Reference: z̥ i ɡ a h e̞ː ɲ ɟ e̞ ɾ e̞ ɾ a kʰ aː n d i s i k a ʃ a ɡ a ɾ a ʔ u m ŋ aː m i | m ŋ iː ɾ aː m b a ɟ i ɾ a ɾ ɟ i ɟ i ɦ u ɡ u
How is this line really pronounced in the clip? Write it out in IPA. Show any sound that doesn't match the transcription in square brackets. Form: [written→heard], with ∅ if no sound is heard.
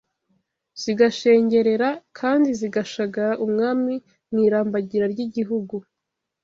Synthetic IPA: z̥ i ɡ a [h→ʃ] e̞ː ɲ ɟ e̞ ɾ e̞ ɾ a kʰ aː n d i [s→z] i [k→ɡ] a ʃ a ɡ a ɾ a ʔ u m ŋ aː m i | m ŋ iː ɾ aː m b a ɟ i ɾ a ɾ ɟ i ɟ i ɦ u ɡ u

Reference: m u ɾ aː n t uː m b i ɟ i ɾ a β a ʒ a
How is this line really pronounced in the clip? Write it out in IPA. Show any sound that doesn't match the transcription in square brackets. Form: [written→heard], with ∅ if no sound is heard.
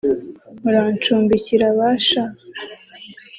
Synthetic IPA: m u ɾ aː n [t→t͡ʃ] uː m b i [ɟ→c] i ɾ a β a [ʒ→ʃ] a

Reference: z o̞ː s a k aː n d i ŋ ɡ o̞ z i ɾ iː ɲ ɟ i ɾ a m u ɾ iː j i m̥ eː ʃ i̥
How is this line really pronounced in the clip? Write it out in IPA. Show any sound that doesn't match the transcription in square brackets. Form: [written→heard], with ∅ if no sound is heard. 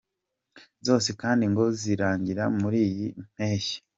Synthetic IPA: z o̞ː s [a→e] k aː n d i ŋ ɡ o̞ z i ɾ [iː→aː] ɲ ɟ i ɾ a m u ɾ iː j i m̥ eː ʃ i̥

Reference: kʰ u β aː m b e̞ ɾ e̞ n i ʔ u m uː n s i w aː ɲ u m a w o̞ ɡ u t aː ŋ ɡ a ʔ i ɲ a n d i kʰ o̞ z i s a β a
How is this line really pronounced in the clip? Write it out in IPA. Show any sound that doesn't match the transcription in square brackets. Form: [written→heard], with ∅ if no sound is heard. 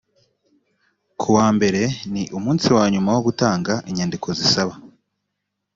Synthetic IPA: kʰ u [β→w] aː m b e̞ ɾ e̞ n i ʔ u m uː n s i w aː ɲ u m a w o̞ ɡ u t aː ŋ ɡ a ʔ i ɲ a n d i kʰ o̞ z i s a β a

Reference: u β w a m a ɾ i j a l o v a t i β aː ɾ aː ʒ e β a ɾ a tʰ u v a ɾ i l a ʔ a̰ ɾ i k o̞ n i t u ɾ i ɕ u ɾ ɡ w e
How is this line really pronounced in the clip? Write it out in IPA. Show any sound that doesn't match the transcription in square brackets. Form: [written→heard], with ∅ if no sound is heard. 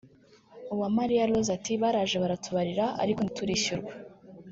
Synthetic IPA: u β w a m a ɾ i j a l o [v→z] a t i β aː ɾ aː ʒ e β a ɾ a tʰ u [v→β] a ɾ i [l→ɾ] a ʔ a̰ ɾ i k o̞ n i t u ɾ i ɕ u ɾ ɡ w e

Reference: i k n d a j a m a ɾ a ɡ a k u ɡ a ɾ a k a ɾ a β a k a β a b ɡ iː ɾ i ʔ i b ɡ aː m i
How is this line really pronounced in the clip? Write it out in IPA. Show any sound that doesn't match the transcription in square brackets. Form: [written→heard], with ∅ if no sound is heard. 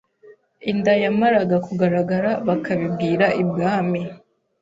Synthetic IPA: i [k→∅] n d a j a m a ɾ a ɡ a k u ɡ a ɾ a [k→ɡ] a ɾ a β a k a β [a→i] b ɡ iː ɾ [i→a] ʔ i b ɡ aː m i

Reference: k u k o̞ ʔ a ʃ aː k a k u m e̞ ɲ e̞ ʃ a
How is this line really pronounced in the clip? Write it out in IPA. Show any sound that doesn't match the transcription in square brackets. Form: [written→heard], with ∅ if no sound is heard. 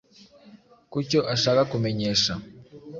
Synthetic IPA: k u [k→c] o̞ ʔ a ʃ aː k a k u m e̞ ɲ e̞ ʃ a

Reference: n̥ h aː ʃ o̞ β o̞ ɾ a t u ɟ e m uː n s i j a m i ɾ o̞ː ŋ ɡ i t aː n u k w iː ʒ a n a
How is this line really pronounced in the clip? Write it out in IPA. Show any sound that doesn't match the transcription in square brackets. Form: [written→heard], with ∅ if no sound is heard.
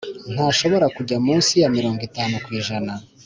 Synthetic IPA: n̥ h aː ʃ o̞ β o̞ ɾ a [t→k] u ɟ [e→a] m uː n s i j a m i ɾ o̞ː ŋ ɡ i t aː n u k w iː ʒ a n a

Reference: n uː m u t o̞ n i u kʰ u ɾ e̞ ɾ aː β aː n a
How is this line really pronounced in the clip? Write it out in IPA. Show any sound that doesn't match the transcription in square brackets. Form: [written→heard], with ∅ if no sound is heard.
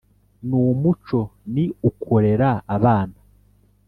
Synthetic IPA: n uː m u [t→t͡ʃ] o̞ n i u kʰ [u→o] ɾ e̞ ɾ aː β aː n a

